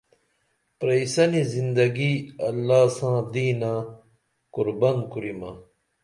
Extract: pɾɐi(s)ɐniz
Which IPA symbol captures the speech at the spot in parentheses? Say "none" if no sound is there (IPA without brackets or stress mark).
s